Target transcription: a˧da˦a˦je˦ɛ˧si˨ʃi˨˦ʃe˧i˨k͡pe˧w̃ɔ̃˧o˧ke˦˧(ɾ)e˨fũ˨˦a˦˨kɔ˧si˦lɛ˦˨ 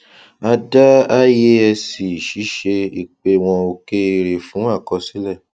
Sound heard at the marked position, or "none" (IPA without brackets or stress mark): ɾ